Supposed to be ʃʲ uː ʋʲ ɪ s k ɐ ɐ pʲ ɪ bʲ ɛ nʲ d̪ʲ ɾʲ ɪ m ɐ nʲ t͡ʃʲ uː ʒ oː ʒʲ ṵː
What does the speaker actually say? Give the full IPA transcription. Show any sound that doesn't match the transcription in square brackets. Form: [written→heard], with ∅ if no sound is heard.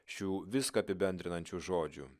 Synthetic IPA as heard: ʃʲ uː ʋʲ ɪ s k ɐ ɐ pʲ ɪ bʲ ɛ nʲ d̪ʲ ɾʲ ɪ [m→n] ɐ nʲ t͡ʃʲ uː ʒ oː [ʒʲ→d͡ʒʲ] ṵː